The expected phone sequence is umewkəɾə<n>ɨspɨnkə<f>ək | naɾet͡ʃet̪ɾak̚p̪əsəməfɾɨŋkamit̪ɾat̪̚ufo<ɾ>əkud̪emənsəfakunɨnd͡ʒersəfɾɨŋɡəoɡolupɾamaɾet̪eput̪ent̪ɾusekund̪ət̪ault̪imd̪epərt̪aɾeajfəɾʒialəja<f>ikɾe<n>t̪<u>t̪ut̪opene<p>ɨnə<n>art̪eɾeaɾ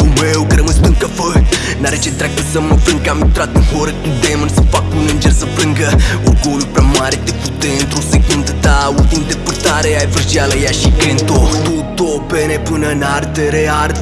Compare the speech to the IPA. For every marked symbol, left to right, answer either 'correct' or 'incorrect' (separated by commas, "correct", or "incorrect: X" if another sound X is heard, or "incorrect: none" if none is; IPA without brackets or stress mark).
incorrect: m, correct, correct, incorrect: ʃ, correct, incorrect: o, correct, correct